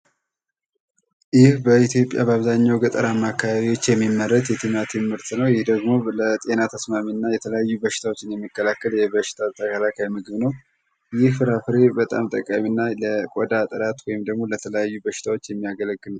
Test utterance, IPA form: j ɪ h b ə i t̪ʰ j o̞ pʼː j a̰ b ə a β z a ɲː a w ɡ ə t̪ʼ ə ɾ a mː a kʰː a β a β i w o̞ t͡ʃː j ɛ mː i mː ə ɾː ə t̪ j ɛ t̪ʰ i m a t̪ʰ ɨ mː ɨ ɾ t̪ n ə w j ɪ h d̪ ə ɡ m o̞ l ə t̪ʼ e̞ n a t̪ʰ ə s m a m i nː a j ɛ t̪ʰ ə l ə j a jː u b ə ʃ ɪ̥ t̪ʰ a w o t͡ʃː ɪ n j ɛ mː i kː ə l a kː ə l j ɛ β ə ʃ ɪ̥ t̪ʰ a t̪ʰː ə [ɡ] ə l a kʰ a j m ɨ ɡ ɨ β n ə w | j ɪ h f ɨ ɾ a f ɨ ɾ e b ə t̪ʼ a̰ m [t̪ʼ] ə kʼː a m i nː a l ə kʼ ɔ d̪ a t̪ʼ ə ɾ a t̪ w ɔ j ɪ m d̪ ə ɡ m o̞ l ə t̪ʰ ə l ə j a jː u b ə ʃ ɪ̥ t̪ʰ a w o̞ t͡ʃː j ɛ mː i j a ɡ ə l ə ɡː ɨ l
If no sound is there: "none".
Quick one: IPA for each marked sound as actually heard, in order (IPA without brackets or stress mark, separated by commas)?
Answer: k, t̪ʼ